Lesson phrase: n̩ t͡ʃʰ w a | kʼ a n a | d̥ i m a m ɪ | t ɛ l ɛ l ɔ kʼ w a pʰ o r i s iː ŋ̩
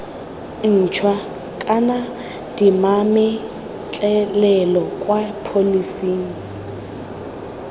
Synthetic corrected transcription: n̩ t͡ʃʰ w a | kʼ a n a | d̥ i m a m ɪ | t͡ɬʼ ɛ l ɛ l ɔ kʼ w a pʰ o l i s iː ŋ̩